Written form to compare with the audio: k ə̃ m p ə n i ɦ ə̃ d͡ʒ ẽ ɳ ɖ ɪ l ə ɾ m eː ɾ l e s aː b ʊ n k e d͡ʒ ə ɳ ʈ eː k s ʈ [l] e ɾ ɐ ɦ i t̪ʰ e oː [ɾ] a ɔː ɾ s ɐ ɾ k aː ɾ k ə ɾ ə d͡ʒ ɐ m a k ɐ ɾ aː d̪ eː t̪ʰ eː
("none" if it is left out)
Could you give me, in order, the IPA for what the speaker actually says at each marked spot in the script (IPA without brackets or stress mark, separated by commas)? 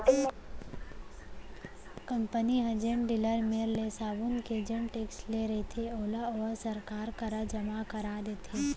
l, l